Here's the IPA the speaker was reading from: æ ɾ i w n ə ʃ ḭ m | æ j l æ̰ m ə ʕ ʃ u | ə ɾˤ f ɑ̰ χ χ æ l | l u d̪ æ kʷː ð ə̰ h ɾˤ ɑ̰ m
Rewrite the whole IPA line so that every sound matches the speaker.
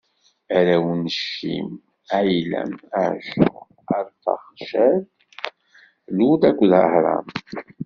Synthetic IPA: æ ɾ æ w n ə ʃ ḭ m | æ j l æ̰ m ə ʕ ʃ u | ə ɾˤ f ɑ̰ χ ʃ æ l | l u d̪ æ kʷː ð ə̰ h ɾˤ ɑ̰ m

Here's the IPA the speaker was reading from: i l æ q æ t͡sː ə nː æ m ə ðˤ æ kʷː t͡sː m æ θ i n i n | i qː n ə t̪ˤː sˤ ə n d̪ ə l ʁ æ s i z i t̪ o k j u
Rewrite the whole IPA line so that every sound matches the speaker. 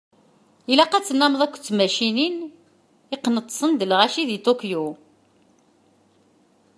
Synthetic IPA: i l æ q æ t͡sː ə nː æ m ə ðˤ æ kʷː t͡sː m æ ʃ i n i n | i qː n ə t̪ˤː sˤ ə n d̪ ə l ʁ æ ʃ i ð i t̪ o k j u

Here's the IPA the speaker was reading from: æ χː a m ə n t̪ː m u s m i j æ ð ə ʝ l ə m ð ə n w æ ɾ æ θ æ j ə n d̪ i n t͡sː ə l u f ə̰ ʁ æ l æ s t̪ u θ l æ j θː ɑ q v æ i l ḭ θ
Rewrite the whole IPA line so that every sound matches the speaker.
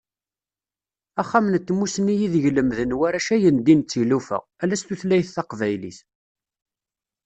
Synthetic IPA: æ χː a m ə n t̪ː m u s n i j i ð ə ʝ l ə m ð ə n w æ ɾ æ ʃ æ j ə n d̪ i n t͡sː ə l u f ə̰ ʁ æ l æ s t̪ u θ l æ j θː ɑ q v æ j l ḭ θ

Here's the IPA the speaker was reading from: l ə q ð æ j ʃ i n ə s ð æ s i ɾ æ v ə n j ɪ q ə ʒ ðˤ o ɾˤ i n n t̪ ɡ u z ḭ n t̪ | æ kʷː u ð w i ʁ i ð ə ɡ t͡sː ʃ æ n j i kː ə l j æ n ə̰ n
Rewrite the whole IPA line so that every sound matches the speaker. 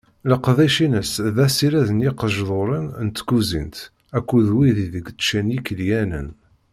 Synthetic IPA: l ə q ð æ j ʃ i n ə s ð æ s i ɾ æ ð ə n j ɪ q ə ʒ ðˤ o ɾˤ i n n t̪ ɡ u z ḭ n t̪ | æ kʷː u ð w i ð i ð ə ɡ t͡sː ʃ æ n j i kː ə l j æ n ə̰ n

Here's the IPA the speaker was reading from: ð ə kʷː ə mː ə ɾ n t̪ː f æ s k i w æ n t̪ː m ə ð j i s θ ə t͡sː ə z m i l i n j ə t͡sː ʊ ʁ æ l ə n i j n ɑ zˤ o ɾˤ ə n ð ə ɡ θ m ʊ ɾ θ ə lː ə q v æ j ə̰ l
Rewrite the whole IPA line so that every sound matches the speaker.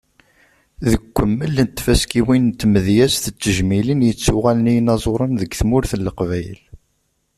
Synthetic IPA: ð ə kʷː ə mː ə l n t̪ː f æ s k i w i n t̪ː m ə ð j æ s θ ə t͡sː ə ʒ m i l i n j ə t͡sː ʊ ʁ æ l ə n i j n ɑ zˤ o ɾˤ ə n ð ə ɡ θ m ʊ ɾ θ ə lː ə q v æ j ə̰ l

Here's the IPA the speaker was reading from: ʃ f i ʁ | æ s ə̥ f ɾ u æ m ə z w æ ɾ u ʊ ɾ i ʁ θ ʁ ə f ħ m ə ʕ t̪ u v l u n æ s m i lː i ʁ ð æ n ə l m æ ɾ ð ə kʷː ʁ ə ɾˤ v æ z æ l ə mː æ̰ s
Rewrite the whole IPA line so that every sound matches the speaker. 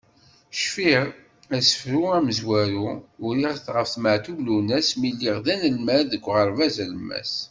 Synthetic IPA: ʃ f i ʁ | æ s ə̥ f ɾ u æ m ə z w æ ɾ u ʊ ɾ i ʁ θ ʁ ə f θ m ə ʕ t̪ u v l u n æ s m i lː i ʁ ð æ n ə l m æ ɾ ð ə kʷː ʁ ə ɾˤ v æ z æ l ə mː æ̰ s

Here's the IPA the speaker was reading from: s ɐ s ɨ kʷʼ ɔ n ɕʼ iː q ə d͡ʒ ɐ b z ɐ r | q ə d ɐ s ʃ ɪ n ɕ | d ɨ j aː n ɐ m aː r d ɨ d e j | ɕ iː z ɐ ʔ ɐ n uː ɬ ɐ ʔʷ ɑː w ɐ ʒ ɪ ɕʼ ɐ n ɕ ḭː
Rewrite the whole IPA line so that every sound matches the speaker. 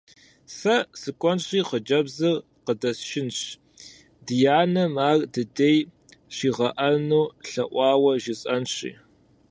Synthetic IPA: s ɐ s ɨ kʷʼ ɔ n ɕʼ iː q ə d͡ʒ ɐ b z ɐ r | q ə d ɐ s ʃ ɪ n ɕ | d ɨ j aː n ɐ m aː r d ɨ d e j | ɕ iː ʁ ɐ ʔ ɐ n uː ɬ ɐ ʔʷ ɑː w ɐ ʒ ɪ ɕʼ ɐ n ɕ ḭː

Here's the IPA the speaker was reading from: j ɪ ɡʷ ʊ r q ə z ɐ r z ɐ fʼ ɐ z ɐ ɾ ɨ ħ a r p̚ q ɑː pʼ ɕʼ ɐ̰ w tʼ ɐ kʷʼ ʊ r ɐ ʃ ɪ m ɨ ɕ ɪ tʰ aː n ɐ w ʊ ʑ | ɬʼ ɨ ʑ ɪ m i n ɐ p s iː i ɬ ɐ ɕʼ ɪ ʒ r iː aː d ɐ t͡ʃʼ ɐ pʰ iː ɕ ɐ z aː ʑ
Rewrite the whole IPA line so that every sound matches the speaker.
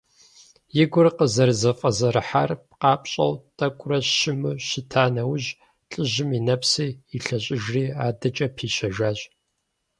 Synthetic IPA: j ɪ ɡʷ ʊ r q ə z ɐ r z ɐ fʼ ɐ z ɐ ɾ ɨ ħ a r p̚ q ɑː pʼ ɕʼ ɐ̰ w tʼ ɐ kʷʼ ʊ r ɐ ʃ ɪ m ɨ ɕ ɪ tʰ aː n ɐ w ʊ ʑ | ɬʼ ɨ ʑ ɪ m i n ɐ p s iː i ɬ ɐ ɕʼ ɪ ʒ r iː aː d ɐ t͡ʃʼ ɐ pʰ iː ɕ ɐ ʒ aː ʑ

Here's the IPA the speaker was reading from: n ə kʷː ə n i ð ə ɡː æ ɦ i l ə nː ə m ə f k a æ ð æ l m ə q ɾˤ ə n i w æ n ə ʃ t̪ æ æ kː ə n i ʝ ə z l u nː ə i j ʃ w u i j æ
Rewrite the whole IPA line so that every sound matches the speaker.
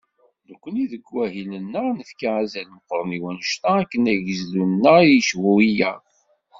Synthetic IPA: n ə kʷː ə n i ð ə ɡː æ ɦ i l ə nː ə n ə f k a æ z æ l m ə q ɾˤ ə n i w æ n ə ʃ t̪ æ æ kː ə n æ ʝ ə z l u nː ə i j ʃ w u i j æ

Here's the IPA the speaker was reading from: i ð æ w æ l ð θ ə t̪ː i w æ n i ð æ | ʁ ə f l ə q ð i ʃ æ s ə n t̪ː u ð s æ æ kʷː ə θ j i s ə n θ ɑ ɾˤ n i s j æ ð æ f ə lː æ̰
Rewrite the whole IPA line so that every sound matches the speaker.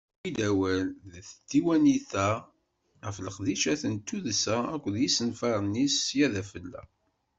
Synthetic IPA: i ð æ w æ l ð θ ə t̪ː i w æ n i θ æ | ʁ ə f l ə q ð i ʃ æ θ ə n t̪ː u ð s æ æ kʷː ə ð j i s ə n f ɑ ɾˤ n i s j æ ð æ f ə lː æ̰

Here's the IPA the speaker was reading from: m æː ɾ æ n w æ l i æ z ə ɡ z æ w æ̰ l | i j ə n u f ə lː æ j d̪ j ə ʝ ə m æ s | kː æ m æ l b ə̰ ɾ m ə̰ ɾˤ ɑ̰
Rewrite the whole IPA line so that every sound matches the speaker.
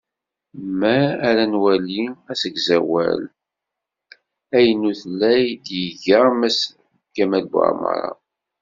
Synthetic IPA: m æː ɾ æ n w æ l i æ s ə ɡ z æ w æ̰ l | æ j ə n u θ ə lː æ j d̪ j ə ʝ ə m æ s | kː æ m æ l b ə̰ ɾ m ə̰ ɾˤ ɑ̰

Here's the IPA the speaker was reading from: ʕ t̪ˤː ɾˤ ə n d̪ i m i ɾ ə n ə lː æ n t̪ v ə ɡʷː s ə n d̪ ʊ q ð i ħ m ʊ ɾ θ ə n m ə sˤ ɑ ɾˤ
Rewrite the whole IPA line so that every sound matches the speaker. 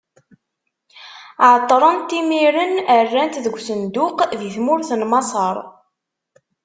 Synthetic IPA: ʕ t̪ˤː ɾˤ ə n t̪ i m i ɾ ə n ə rː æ n t̪ ð ə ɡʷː s ə n d̪ ʊ q ð i θ m ʊ ɾ θ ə n m ɑ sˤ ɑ ɾˤ

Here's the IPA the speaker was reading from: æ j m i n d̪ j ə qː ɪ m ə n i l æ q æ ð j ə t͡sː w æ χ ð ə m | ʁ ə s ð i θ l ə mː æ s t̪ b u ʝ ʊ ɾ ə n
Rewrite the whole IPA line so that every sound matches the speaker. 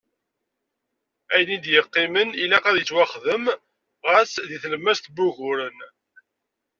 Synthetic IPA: æ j n i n d̪ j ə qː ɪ m ə n i l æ q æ ð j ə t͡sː w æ χ ð ə m | ʁ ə s ð i θ l ə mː æ s t̪ b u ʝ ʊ ɾ ə n

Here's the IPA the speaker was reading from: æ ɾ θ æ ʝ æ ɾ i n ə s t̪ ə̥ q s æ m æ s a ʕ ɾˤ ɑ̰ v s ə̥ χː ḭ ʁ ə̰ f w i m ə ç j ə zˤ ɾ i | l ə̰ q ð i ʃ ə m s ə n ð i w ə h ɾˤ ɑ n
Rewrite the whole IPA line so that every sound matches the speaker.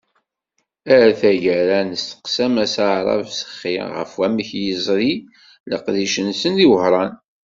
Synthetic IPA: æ ɾ θ æ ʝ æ ɾ æ n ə s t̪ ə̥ q s æ m æ s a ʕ ɾˤ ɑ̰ v s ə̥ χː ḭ ʁ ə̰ f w æ m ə ç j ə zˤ ɾ i | l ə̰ q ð i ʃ ə n s ə n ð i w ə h ɾˤ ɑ n

